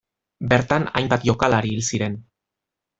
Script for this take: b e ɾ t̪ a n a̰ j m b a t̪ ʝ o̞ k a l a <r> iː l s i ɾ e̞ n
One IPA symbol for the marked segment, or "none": ɾ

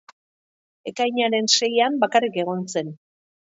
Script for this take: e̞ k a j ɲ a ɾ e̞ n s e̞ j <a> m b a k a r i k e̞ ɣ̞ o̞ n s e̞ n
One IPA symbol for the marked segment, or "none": a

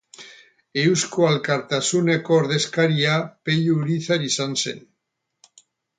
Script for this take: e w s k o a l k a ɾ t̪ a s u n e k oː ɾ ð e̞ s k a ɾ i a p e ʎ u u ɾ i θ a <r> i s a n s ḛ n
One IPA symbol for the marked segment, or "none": ɾ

